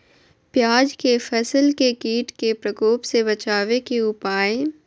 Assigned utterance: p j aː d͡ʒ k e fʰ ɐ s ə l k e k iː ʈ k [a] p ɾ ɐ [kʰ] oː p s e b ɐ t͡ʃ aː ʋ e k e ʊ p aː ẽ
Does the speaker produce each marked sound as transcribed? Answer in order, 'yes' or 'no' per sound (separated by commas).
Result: no, no